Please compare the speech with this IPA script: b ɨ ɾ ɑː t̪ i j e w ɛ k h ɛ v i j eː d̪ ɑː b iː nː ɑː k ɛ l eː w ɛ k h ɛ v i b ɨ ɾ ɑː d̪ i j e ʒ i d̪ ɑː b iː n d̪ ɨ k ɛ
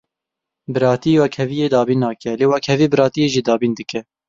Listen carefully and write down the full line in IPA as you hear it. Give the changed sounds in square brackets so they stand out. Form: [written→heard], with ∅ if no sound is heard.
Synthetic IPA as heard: b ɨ ɾ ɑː t̪ i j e w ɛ k h ɛ v i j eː d̪ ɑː b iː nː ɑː k ɛ l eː w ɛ k h ɛ v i b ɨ ɾ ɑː [d̪→t̪] i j e ʒ i d̪ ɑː b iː n d̪ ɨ k ɛ

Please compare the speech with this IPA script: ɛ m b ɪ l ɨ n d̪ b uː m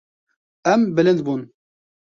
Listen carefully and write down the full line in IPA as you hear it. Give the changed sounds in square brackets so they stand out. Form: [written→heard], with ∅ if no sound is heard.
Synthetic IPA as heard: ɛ m b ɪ l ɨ n d̪ b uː [m→n]

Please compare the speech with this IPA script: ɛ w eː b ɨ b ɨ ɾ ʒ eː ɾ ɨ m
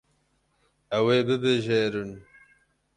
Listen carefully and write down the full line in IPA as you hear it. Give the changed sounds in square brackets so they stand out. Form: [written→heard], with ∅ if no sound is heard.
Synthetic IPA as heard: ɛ w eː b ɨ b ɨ [ɾ→∅] ʒ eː ɾ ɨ [m→n]

